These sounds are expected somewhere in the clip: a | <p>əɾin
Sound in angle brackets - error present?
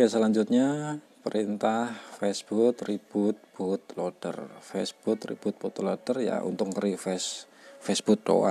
no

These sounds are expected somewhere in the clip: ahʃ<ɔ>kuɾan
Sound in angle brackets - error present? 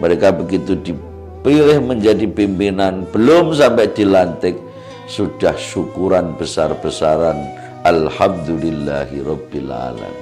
yes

